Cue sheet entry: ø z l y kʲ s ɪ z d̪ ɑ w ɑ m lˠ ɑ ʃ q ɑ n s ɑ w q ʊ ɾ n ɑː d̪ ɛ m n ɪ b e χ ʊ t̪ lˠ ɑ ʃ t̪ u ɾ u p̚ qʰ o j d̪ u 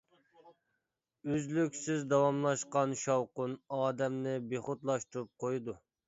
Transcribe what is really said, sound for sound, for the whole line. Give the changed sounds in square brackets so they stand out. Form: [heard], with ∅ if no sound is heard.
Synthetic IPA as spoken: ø z l y kʲ s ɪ z d̪ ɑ w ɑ m lˠ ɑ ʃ q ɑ n [ʃ] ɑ w q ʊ [∅] n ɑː d̪ ɛ m n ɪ b e χ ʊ t̪ lˠ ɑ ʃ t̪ u ɾ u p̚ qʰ o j d̪ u